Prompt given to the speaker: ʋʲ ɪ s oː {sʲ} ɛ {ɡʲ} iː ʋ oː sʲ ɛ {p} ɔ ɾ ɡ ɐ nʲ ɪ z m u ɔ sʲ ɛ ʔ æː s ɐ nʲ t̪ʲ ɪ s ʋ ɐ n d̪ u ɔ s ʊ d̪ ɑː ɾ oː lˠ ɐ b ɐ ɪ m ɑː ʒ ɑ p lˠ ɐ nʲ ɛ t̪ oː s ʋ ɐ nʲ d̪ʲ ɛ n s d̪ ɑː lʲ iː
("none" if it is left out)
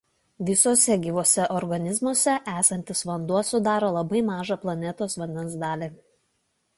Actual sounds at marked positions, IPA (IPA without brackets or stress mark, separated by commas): sʲ, ɡʲ, ʔ